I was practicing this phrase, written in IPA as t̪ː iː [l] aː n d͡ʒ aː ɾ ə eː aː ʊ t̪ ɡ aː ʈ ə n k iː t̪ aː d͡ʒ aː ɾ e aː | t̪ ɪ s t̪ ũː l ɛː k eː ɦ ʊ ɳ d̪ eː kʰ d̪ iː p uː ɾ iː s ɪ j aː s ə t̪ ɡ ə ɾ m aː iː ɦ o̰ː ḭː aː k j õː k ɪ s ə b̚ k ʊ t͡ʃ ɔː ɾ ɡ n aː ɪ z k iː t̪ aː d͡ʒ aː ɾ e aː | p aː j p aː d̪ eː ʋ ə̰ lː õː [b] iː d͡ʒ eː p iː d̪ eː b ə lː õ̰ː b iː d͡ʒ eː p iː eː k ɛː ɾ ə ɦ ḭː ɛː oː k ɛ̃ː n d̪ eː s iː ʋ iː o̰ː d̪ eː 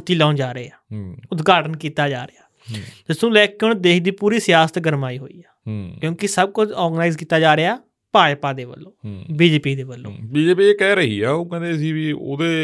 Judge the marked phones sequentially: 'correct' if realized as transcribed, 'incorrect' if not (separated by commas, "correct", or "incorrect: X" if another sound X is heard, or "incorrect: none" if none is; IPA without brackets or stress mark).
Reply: correct, correct